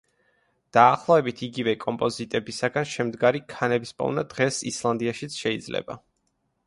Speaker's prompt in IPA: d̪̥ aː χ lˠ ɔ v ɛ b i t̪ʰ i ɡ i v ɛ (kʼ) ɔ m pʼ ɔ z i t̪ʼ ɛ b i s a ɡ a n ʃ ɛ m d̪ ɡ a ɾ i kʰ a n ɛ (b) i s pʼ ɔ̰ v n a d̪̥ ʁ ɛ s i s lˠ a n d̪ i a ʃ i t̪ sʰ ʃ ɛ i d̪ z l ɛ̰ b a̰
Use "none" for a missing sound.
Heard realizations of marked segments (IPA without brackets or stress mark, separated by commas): kʼ, b